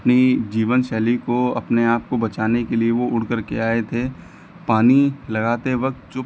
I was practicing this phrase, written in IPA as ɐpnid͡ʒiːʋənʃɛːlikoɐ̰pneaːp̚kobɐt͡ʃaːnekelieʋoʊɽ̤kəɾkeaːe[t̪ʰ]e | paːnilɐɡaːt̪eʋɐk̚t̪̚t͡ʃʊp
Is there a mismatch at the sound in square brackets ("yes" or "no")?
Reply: no